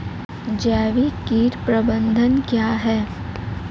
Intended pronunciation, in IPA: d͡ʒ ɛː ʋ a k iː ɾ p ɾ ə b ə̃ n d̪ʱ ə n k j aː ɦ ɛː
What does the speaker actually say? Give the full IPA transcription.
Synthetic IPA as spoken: d͡ʒ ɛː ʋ i k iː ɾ p ɾ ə b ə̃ n d̪ʱ ə n k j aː ɦ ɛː